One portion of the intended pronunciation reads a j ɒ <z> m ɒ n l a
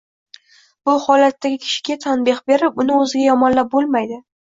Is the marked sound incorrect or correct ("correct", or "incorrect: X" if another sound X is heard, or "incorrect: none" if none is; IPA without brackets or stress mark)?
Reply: incorrect: none